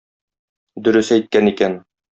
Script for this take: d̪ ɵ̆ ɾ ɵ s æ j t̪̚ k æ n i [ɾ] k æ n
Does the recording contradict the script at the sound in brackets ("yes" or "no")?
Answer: yes